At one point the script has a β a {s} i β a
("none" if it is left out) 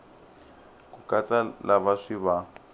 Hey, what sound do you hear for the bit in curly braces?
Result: ʂ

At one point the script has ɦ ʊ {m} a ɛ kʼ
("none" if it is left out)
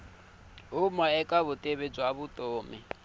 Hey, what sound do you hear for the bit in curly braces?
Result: m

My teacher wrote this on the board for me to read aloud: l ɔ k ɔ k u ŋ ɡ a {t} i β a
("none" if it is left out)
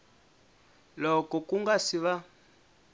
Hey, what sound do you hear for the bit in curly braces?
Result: s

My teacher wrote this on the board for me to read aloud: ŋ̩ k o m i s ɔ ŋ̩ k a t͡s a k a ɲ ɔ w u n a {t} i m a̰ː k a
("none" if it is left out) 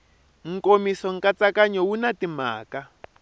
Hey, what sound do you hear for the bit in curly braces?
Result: t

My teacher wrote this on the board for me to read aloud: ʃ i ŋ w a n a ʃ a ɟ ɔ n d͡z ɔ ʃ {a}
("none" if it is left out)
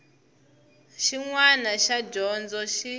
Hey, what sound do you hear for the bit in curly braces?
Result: i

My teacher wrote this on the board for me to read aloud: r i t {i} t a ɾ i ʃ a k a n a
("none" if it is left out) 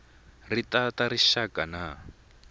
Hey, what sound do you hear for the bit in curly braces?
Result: a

